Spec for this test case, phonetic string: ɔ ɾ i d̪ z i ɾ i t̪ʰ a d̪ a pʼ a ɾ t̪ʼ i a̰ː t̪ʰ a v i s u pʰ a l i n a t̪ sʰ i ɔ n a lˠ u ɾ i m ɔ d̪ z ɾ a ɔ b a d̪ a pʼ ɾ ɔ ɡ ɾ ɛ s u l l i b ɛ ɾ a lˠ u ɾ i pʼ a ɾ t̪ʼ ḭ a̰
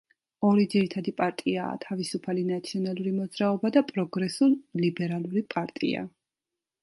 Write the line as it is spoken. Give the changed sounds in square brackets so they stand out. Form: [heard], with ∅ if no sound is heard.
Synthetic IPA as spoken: ɔ ɾ i d̪ z i ɾ i t̪ʰ a d̪ [i] pʼ a ɾ t̪ʼ i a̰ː t̪ʰ a v i s u pʰ a l i n a t̪ sʰ i ɔ n a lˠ u ɾ i m ɔ d̪ z ɾ a ɔ b a d̪ a pʼ ɾ ɔ ɡ ɾ ɛ s u l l i b ɛ ɾ a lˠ u ɾ i pʼ a ɾ t̪ʼ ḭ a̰